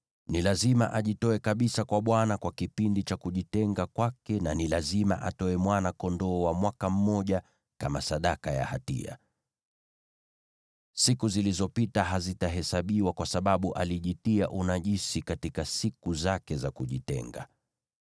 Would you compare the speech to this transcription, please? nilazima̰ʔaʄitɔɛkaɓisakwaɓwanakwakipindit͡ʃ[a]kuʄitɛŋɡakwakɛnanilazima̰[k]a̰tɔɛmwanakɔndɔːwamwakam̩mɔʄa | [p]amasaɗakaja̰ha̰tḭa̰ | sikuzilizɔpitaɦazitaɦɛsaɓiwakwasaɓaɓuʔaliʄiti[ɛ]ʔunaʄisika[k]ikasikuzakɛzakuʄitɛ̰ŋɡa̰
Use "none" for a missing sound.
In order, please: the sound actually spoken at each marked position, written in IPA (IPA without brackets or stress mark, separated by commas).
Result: a, ʔ, k, a, t